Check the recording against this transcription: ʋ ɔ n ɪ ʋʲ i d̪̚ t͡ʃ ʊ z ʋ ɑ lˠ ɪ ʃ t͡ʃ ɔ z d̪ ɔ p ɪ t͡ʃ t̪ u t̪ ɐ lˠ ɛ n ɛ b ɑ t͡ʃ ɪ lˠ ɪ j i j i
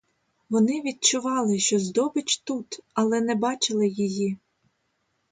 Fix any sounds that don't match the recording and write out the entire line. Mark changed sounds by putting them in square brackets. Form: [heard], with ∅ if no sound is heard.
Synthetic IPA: ʋ ɔ n ɪ ʋʲ i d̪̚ t͡ʃ ʊ [∅] ʋ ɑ lˠ ɪ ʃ t͡ʃ ɔ z d̪ ɔ [b] ɪ t͡ʃ t̪ u t̪ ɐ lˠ ɛ n ɛ b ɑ t͡ʃ ɪ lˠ ɪ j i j i